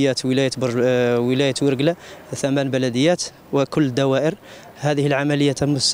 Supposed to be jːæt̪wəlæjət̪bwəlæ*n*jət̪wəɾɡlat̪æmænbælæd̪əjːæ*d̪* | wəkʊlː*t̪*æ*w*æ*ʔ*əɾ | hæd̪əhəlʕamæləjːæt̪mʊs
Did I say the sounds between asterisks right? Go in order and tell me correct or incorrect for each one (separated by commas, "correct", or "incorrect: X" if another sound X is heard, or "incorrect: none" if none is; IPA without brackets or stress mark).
incorrect: none, incorrect: t̪, incorrect: d̪, correct, correct